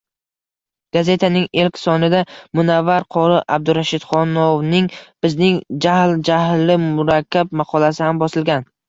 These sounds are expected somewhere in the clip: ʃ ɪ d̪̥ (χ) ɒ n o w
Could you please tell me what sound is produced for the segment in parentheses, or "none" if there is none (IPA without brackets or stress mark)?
χ